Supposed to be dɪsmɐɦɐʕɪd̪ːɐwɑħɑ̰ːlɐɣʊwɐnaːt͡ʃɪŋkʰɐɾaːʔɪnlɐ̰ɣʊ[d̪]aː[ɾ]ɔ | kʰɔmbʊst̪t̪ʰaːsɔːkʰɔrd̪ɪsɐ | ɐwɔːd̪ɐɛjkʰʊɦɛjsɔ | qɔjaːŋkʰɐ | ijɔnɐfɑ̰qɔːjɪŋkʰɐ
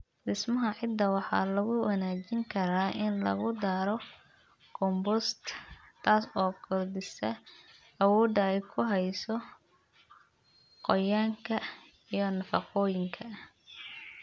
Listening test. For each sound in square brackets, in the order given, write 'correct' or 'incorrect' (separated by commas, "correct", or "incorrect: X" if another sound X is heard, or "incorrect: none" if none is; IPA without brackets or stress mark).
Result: correct, correct